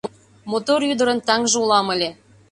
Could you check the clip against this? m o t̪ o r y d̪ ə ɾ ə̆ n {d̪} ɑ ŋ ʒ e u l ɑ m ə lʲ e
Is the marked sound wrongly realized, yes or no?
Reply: yes